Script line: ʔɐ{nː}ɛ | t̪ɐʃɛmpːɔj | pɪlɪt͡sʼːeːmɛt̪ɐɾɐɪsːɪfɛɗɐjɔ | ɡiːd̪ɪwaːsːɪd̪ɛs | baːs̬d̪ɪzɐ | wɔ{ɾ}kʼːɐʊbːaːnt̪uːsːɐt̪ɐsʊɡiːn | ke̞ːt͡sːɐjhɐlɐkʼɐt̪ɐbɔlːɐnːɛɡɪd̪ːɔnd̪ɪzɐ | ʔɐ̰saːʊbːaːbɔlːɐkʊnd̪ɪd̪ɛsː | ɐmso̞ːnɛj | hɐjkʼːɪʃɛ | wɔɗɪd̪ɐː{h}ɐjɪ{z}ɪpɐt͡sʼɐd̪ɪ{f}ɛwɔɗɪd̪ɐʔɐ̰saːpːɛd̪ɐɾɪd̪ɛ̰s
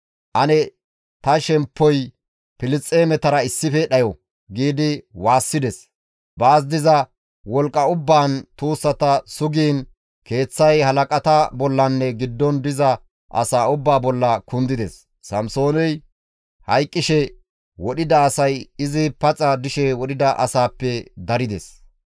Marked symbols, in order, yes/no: no, no, no, yes, no

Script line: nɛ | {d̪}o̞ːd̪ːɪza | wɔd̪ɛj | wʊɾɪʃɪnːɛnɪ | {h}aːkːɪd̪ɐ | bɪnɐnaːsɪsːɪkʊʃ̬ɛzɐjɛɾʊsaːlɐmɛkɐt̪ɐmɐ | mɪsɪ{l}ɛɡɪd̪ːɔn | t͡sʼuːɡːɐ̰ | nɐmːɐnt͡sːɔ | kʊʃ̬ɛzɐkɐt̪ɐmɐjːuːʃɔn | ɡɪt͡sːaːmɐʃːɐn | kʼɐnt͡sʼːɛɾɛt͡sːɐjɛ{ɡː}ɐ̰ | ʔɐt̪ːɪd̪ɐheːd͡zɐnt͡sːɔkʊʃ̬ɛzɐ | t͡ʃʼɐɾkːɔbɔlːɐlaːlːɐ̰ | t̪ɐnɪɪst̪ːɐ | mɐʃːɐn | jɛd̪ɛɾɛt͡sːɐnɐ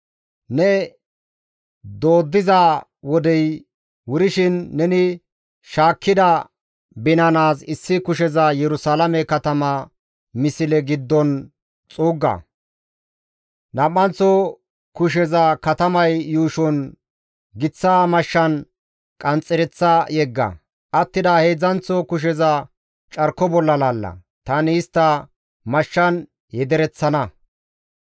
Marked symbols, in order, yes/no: yes, no, yes, yes

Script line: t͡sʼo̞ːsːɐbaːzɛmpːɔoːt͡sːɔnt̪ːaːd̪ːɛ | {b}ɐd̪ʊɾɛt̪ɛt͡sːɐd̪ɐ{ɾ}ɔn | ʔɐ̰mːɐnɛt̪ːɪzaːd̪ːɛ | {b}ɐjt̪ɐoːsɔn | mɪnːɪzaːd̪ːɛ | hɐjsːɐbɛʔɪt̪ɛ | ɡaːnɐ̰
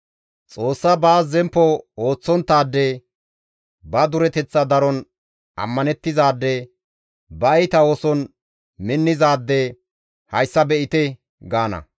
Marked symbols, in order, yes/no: yes, yes, yes

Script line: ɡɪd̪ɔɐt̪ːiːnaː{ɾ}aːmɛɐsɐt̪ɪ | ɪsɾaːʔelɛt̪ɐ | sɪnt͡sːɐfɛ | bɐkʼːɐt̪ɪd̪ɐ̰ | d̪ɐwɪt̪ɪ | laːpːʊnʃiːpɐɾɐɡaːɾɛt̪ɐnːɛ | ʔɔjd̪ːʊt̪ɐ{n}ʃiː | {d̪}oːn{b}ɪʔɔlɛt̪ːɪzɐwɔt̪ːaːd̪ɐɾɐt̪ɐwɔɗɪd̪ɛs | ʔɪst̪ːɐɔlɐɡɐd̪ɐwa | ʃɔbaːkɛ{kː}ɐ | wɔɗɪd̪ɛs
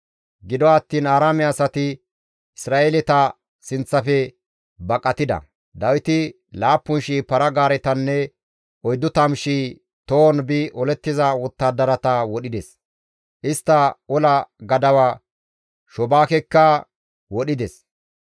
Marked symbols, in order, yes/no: yes, no, no, yes, yes

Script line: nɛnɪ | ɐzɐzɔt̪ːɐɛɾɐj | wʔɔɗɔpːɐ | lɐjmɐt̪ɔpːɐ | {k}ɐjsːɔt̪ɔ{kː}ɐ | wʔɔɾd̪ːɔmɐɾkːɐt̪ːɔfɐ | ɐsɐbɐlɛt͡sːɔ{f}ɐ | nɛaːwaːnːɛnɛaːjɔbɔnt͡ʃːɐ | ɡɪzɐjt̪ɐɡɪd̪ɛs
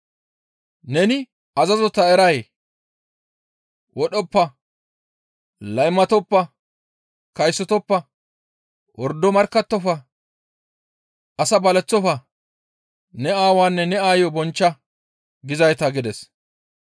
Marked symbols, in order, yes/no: yes, no, yes

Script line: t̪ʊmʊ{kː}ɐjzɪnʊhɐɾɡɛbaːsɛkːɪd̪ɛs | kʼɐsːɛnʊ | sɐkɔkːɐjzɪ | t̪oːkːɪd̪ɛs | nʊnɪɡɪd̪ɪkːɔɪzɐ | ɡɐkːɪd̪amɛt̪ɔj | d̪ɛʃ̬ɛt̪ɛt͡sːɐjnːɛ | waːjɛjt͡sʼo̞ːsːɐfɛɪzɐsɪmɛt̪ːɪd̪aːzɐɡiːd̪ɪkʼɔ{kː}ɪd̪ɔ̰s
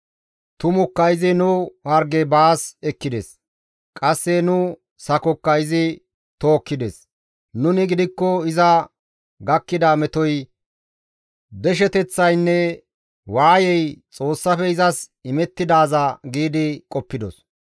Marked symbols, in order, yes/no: yes, no

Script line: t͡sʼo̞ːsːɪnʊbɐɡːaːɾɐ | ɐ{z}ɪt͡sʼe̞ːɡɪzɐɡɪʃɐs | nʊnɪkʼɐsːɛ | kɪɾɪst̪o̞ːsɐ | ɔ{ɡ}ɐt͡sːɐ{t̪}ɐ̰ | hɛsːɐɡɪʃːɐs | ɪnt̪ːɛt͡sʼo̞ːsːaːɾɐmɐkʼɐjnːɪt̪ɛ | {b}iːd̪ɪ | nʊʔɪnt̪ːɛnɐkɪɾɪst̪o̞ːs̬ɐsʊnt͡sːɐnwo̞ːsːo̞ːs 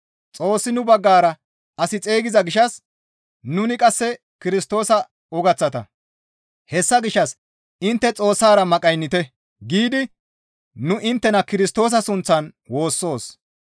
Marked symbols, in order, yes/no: no, yes, yes, no

